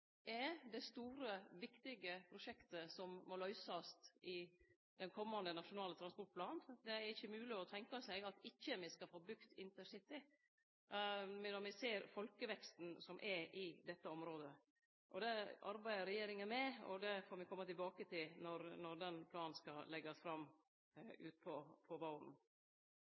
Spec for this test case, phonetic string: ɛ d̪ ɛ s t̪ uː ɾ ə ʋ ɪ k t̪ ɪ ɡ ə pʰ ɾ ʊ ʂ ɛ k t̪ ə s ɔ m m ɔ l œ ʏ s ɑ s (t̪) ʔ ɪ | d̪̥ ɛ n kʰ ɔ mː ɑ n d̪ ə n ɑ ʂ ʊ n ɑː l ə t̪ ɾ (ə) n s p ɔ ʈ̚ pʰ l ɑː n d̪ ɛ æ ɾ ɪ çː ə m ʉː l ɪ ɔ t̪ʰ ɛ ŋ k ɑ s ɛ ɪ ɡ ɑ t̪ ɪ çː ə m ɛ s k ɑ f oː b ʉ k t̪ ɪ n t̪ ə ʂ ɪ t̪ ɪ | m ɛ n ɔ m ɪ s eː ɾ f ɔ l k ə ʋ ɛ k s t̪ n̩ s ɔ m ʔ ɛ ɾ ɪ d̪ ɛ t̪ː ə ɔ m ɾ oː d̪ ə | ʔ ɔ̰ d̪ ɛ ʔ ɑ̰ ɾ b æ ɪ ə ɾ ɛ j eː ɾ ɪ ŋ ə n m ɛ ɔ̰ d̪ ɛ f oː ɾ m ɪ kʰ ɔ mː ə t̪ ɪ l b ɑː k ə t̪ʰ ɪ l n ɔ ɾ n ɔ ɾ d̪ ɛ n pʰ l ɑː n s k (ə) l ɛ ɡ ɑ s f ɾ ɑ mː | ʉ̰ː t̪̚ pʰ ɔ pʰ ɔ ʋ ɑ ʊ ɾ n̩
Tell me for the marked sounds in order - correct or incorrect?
correct, incorrect: ɑ, incorrect: ɑ

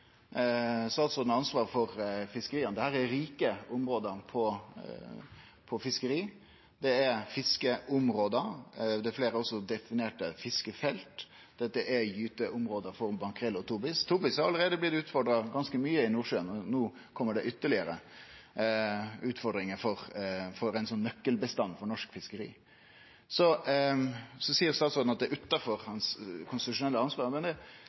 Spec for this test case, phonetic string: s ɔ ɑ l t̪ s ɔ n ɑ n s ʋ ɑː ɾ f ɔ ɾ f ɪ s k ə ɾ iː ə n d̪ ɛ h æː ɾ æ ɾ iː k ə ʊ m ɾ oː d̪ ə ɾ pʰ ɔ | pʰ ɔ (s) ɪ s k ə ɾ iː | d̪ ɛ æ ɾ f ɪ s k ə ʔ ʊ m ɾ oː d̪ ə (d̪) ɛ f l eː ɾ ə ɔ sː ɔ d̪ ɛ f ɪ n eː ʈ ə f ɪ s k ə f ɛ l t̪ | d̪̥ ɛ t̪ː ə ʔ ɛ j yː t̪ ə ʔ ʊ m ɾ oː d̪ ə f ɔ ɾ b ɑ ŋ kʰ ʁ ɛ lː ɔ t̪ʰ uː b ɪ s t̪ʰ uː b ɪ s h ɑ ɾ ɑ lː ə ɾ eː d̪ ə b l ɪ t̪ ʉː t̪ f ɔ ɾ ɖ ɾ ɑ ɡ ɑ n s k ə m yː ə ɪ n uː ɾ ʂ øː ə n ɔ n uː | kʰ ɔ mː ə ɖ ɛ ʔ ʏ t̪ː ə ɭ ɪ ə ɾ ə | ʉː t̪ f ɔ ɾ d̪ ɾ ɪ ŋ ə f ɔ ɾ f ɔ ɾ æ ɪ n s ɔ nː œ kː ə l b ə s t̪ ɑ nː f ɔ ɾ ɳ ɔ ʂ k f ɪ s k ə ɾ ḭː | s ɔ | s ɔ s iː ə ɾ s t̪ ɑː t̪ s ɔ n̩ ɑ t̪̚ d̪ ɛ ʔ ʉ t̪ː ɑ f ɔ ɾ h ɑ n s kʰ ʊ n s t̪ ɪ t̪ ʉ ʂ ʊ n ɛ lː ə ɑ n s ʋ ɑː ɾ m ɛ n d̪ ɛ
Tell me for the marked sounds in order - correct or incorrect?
incorrect: f, correct

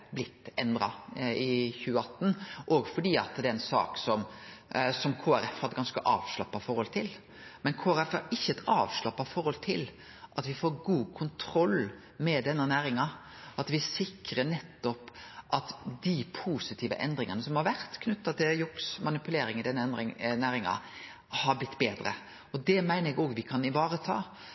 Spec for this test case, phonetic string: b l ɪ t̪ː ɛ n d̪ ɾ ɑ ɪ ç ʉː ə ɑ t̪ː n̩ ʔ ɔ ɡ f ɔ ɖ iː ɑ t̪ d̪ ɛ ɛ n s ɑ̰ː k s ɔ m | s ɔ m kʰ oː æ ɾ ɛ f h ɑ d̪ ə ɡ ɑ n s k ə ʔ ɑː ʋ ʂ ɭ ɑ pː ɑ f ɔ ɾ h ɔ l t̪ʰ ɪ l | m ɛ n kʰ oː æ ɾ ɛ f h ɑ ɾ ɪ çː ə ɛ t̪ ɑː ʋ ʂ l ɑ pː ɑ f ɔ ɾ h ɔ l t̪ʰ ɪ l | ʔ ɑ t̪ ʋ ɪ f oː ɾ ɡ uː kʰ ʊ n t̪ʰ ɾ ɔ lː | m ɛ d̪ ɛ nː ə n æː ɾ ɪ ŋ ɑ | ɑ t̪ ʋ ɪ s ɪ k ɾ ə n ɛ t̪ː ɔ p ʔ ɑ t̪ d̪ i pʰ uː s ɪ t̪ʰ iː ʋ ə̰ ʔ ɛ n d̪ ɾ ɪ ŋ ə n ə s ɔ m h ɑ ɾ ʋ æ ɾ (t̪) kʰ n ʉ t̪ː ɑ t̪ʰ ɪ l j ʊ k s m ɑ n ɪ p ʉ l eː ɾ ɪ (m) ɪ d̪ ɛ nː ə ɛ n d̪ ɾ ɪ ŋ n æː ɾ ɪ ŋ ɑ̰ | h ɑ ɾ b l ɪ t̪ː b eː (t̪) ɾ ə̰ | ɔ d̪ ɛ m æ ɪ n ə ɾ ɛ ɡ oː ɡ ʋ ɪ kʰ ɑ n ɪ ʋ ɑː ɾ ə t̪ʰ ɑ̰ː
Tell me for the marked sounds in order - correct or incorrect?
correct, incorrect: ŋ, incorrect: d̪

